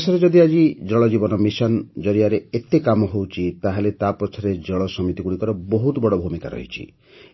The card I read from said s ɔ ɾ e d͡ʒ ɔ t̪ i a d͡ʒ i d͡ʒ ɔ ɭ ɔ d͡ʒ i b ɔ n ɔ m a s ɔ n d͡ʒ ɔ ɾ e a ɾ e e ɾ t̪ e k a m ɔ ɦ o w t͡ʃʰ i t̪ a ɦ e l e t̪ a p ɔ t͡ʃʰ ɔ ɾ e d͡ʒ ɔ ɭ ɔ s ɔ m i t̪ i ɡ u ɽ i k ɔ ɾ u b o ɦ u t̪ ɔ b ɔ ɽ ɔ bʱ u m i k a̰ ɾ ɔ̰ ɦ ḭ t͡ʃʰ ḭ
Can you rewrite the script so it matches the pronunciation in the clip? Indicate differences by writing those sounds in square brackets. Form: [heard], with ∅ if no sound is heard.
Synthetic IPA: s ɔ ɾ e d͡ʒ ɔ [d̪] i a d͡ʒ i d͡ʒ ɔ ɭ ɔ d͡ʒ i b ɔ n ɔ m [i] s ɔ n d͡ʒ ɔ ɾ [i] a ɾ e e [∅] t̪ e k a m ɔ ɦ o w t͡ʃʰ i t̪ a ɦ e l e t̪ a p ɔ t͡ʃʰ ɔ ɾ e d͡ʒ ɔ ɭ ɔ s ɔ m i t̪ i ɡ u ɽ i k ɔ ɾ [ɔ] b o ɦ u t̪ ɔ b ɔ ɽ ɔ bʱ u m i k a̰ ɾ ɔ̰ ɦ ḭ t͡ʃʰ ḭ